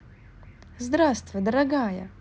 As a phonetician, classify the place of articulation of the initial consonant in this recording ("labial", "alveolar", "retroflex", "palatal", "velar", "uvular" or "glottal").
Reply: alveolar